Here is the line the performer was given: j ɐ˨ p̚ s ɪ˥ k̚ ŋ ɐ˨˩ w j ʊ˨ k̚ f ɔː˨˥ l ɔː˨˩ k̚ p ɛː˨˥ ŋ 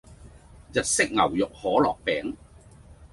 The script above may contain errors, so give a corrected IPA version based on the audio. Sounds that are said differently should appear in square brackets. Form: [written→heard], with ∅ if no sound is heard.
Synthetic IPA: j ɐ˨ [p̚→t̚] s ɪ˥ k̚ ŋ ɐ˨˩ w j ʊ˨ k̚ [f→h] ɔː˨˥ l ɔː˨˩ k̚ p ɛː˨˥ ŋ